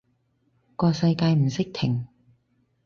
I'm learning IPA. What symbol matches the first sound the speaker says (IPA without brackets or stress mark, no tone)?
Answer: k